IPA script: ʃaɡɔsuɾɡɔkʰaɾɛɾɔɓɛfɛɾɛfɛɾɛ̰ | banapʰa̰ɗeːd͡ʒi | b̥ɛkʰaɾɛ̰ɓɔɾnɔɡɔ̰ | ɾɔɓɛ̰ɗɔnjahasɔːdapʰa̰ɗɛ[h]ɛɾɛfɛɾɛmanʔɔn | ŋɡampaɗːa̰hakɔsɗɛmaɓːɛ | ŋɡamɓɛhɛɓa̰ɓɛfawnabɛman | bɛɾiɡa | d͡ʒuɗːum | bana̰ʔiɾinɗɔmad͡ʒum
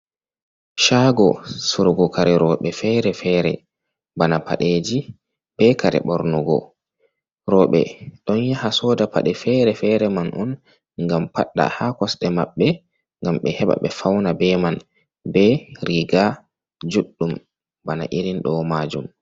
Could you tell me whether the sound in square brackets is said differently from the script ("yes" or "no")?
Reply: yes